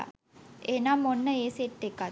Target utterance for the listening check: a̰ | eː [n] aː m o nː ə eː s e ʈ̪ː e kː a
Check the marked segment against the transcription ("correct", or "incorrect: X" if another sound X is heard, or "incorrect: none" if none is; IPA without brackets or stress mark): correct